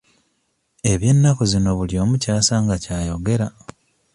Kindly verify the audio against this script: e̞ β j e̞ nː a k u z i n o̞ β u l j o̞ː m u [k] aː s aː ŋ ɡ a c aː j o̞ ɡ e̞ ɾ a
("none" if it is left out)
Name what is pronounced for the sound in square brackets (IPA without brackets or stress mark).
c